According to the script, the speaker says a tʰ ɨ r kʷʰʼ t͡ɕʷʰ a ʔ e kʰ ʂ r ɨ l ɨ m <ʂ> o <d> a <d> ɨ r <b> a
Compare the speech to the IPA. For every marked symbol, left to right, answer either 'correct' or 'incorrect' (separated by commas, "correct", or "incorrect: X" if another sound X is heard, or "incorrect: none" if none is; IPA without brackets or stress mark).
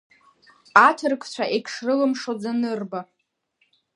correct, incorrect: d͡z, incorrect: n, correct